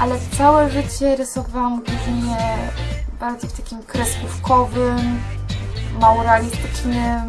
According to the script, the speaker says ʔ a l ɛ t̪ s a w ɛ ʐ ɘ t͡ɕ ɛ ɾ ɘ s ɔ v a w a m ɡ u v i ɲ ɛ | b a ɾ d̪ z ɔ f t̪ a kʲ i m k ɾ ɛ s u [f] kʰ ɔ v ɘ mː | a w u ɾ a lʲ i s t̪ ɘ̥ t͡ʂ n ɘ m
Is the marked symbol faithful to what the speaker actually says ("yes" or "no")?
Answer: yes